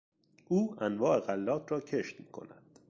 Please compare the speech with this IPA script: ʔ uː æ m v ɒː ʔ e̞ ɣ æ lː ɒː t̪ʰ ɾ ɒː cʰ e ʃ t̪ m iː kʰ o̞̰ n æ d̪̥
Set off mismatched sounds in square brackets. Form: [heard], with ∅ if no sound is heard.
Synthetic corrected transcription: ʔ uː æ [n] v ɒː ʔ e̞ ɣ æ lː ɒː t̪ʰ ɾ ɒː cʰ e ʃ t̪ m iː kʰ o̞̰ n æ d̪̥

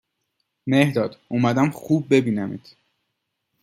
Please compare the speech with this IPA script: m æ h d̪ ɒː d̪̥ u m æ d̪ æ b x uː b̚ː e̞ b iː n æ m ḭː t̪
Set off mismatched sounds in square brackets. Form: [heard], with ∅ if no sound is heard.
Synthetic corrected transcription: m [e] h d̪ ɒː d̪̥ u m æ d̪ æ [m] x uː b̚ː e̞ b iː n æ m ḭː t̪

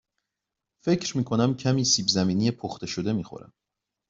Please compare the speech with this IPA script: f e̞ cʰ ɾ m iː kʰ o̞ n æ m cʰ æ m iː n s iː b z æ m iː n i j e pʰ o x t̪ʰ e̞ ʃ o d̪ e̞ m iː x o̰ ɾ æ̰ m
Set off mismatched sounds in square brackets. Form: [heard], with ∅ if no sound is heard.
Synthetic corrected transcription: f e̞ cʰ ɾ m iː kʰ o̞ n æ m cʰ æ m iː [∅] s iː b z æ m iː n i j e pʰ o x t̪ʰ e̞ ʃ o d̪ e̞ m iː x o̰ ɾ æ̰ m

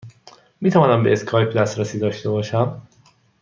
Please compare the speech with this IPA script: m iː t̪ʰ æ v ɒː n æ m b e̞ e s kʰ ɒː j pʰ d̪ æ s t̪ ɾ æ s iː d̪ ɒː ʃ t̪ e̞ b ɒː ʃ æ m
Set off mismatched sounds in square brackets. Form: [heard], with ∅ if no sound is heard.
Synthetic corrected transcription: m iː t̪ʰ æ v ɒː n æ m b e̞ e s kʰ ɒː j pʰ d̪ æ s t̪ ɾ æ s iː d̪ ɒː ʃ t̪ e̞ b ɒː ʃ æ m

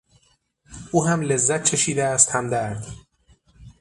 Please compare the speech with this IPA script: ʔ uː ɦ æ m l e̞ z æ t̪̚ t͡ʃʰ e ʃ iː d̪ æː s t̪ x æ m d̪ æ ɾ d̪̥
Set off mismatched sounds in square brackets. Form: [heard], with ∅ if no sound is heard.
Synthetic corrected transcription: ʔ uː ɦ æ m l e̞ [zː] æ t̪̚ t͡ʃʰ e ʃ iː d̪ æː s t̪ [h] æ m d̪ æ ɾ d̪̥

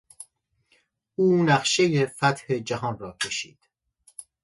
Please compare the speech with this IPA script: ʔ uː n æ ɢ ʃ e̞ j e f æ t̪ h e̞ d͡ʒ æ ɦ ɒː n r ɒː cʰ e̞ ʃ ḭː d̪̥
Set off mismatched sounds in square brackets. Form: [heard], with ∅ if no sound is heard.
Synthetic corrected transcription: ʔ uː n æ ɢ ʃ e̞ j e f æ t̪ h e̞ d͡ʒ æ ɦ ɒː n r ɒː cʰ e̞ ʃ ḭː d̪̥

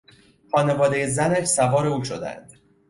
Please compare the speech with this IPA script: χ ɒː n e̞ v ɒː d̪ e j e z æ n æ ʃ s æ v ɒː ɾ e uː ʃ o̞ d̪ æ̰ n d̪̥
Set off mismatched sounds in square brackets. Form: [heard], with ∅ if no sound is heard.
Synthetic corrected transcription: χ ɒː n e̞ v ɒː d̪ e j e z æ n æ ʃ s æ v ɒː ɾ e uː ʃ o̞ d̪ æ̰ n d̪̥

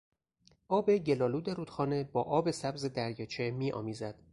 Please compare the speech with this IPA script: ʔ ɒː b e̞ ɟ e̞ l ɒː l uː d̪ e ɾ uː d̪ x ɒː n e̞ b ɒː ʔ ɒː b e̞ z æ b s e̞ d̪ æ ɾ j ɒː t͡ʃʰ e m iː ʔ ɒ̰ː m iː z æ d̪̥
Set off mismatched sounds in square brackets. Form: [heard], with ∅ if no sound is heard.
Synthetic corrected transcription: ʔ ɒː b e̞ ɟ e̞ l ɒː l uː d̪ e ɾ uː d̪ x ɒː n e̞ b ɒː ʔ ɒː b e̞ [s] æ b [z] e̞ d̪ æ ɾ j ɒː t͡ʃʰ e m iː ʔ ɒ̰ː m iː z æ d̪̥

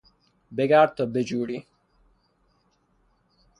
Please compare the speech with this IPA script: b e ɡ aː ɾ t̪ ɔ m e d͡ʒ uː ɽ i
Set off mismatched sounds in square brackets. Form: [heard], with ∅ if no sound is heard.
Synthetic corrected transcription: b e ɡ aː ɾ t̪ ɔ [b] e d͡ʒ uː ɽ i

